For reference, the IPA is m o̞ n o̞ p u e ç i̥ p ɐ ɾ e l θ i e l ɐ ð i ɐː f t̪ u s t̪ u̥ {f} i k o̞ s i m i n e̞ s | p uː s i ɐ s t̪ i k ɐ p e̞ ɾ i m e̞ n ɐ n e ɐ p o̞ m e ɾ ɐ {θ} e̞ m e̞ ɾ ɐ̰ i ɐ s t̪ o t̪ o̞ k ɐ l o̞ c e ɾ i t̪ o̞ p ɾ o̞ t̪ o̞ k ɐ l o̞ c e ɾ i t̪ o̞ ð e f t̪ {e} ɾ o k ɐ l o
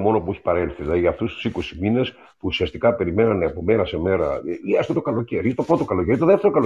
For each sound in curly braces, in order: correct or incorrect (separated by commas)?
incorrect, incorrect, correct